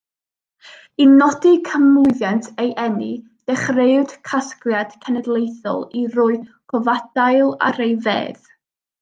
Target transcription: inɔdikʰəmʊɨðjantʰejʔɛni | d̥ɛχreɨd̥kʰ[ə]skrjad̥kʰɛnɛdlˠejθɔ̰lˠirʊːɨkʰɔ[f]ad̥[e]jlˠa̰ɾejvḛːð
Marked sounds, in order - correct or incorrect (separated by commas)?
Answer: incorrect, incorrect, incorrect